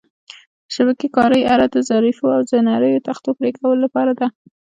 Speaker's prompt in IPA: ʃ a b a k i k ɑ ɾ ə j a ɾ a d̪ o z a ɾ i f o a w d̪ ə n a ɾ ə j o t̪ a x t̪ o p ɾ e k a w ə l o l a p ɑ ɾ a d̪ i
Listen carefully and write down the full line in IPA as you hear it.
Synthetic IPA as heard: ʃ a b a k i k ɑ ɾ ə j a ɾ a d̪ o z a ɾ i f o a w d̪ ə n a ɾ ə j o t̪ a x t̪ o p ɾ e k a w ə l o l a p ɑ ɾ a d̪ a